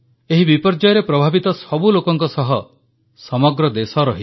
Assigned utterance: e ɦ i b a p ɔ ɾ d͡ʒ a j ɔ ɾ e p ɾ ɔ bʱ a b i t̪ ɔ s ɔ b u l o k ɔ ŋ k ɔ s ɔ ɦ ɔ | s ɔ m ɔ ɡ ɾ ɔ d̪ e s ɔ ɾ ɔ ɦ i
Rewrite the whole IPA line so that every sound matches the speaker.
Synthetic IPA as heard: e ɦ i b i p ɔ ɾ d͡ʒ a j ɔ ɾ e p ɾ ɔ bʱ a b i t̪ ɔ s ɔ b u l o k ɔ ŋ k ɔ s ɔ ɦ ɔ | s ɔ m ɔ ɡ ɾ ɔ d̪ e s ɔ ɾ ɔ ɦ i